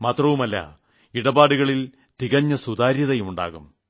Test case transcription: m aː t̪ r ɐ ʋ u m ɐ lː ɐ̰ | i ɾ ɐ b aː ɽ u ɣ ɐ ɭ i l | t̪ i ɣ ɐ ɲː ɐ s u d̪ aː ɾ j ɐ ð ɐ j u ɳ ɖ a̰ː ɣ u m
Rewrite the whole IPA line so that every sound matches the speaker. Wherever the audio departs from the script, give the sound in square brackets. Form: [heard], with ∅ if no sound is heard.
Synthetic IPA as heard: m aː t̪ r ɐ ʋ u m ɐ lː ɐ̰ | i [ɽ] ɐ b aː ɽ u ɣ ɐ ɭ i l | t̪ i ɣ ɐ ɲː ɐ s u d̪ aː ɾ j ɐ ð ɐ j u ɳ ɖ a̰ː ɣ u m